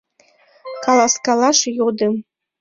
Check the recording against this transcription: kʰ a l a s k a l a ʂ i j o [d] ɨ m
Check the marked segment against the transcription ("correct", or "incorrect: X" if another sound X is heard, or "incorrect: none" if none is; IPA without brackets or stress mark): correct